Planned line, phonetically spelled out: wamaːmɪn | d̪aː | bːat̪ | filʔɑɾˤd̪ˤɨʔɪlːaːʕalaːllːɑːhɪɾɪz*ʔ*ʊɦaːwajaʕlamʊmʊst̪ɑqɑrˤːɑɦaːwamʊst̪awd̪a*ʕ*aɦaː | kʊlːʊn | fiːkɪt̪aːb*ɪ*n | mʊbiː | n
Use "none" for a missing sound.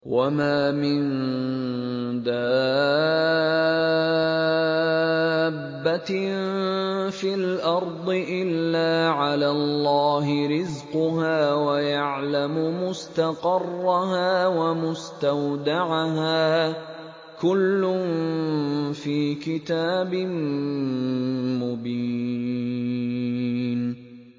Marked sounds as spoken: q, ʕ, ɪ

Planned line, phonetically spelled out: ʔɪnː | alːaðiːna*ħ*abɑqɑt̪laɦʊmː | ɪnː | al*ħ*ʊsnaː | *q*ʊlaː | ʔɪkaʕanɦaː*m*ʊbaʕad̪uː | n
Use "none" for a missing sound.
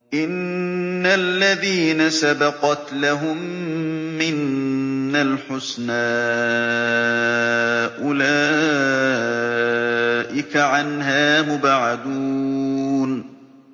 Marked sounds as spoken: s, ħ, ʔ, m

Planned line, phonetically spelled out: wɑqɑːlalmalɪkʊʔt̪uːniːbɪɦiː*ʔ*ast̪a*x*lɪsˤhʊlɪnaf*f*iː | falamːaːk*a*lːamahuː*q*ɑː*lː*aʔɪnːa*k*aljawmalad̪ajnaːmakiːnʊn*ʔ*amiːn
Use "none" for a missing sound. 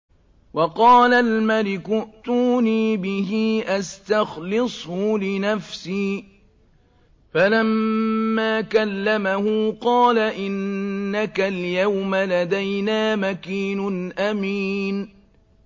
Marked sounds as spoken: ʔ, x, s, a, q, l, k, ʔ

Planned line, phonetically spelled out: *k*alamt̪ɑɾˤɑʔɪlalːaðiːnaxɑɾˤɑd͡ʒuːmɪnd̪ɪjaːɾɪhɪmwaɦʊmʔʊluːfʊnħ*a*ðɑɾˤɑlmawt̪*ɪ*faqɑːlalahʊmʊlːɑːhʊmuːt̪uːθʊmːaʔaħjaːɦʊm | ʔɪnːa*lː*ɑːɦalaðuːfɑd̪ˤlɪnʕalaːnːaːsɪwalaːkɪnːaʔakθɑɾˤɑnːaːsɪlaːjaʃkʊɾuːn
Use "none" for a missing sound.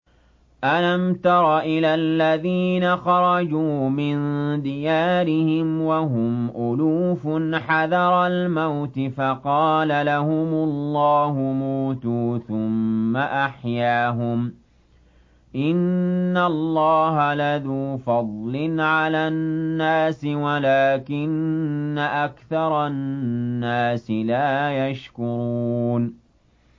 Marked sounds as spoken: ʔ, a, ɪ, lː

